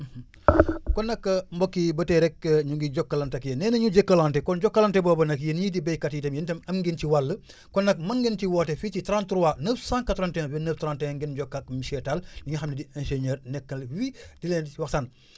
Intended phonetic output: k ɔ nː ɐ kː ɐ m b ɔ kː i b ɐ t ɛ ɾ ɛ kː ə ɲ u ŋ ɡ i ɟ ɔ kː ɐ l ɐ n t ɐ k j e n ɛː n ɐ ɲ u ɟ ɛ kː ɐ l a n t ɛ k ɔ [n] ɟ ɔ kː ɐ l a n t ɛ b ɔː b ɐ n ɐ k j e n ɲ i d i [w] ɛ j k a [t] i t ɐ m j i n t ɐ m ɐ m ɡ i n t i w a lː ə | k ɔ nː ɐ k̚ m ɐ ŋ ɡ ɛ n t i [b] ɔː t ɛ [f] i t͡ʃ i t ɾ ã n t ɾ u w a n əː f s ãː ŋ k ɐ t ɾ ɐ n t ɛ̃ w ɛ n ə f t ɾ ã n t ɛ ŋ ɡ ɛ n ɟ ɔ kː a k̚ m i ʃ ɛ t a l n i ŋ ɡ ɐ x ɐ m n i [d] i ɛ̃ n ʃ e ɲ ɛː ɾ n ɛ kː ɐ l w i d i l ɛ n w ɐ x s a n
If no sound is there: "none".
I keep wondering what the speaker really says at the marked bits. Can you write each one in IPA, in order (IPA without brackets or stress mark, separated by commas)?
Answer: n, b, t, w, f, d